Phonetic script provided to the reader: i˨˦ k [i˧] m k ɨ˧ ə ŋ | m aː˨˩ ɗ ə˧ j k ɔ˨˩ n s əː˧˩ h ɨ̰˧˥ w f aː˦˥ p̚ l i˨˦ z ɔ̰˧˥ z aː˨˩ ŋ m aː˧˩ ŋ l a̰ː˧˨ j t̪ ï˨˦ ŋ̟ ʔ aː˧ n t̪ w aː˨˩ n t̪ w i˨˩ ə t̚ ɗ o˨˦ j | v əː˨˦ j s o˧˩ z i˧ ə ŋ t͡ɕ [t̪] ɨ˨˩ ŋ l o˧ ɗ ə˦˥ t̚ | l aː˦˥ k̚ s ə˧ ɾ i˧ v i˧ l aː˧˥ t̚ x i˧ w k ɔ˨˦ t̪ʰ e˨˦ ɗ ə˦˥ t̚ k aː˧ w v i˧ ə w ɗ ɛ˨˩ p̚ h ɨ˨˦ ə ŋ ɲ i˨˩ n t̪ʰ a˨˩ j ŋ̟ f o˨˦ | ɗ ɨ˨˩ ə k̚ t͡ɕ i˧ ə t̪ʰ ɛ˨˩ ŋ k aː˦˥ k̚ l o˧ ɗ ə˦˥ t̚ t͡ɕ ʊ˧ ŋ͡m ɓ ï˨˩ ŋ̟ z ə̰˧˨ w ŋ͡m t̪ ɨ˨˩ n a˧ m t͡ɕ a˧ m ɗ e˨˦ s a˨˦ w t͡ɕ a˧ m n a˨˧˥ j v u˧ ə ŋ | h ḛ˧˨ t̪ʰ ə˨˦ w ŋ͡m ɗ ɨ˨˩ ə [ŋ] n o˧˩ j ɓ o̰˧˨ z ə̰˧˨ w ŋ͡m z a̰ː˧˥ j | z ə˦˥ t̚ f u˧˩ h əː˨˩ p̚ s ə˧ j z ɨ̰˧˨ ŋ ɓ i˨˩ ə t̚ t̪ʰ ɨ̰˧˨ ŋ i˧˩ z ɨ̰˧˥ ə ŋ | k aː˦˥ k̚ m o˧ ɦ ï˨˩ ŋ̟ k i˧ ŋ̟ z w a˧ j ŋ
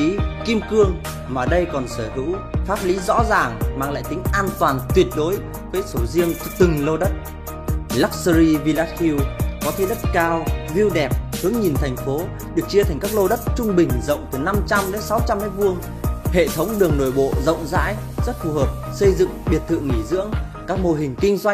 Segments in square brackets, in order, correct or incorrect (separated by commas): correct, correct, correct